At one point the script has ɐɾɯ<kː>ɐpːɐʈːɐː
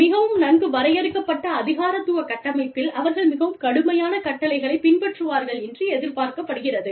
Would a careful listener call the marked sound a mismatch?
no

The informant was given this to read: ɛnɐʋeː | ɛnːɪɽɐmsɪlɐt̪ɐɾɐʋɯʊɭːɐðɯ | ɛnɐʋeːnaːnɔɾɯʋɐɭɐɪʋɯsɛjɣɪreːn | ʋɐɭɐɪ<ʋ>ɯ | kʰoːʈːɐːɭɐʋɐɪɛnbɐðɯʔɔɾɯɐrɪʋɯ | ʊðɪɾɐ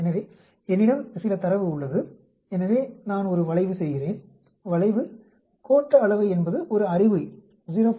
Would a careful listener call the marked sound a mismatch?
no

